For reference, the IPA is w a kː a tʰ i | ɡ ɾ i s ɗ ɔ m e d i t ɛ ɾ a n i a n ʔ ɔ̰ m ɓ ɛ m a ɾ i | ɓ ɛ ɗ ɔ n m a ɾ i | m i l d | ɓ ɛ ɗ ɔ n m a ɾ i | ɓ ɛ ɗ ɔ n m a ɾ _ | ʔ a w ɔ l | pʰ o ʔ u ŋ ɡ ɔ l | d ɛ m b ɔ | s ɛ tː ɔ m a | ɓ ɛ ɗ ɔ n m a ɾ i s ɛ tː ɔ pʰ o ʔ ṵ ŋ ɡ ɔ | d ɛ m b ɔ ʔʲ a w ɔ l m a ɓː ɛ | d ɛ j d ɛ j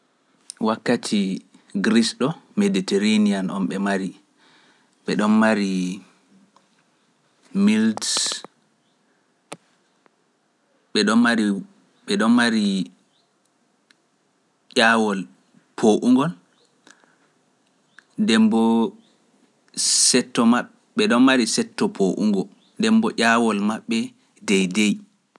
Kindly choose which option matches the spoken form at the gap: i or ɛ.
i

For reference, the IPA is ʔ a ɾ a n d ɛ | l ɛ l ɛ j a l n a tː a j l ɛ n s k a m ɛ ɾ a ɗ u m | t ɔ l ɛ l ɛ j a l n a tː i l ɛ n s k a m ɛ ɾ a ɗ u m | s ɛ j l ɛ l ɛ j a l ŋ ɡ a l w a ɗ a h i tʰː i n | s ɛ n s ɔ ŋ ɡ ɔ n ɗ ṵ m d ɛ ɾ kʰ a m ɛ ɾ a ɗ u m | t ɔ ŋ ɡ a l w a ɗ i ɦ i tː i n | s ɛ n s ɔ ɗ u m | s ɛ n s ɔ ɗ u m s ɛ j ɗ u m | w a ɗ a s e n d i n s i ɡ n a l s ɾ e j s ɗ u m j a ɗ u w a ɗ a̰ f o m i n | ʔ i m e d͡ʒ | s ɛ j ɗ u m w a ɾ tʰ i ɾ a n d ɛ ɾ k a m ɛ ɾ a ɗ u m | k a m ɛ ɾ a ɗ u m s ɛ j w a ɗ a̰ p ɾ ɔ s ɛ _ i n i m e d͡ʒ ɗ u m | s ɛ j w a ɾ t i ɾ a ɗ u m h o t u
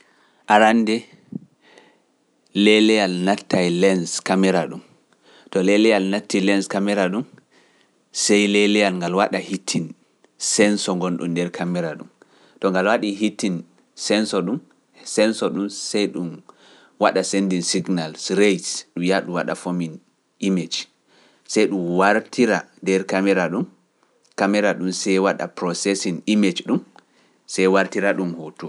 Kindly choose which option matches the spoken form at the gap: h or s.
s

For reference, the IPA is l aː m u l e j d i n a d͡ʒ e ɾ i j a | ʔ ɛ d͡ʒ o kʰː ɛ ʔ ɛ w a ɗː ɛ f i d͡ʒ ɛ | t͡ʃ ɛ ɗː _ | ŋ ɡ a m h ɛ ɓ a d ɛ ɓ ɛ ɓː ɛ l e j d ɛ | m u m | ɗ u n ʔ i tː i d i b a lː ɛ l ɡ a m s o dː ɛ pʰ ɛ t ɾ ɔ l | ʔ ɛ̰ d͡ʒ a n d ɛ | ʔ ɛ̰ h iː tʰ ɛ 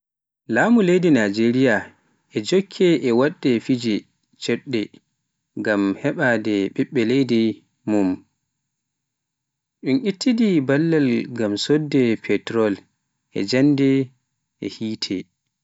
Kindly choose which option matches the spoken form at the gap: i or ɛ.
ɛ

